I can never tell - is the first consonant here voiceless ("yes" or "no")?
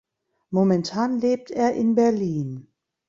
no